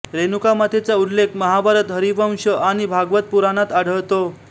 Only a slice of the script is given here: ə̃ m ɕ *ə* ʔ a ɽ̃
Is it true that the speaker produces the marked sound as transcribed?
yes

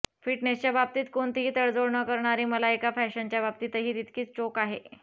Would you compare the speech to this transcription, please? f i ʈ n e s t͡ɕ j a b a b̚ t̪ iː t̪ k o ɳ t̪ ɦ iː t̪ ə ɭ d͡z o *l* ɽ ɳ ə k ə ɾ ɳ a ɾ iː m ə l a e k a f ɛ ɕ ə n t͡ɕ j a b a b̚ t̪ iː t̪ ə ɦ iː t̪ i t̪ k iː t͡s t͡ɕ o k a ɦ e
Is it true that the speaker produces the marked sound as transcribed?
no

